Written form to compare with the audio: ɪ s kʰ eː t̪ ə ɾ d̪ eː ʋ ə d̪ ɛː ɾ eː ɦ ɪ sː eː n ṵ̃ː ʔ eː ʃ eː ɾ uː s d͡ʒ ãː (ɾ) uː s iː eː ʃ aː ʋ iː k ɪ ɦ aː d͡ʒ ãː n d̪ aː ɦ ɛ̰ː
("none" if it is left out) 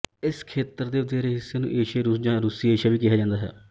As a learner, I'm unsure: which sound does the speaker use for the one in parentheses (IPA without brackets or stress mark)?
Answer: ɾ